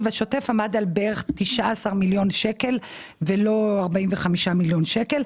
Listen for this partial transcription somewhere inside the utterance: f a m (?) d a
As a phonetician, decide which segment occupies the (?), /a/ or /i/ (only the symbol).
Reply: a